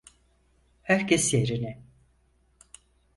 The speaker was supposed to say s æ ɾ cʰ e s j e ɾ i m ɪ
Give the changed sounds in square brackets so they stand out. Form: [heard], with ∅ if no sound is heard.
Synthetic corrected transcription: [h] æ ɾ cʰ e s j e ɾ i [n] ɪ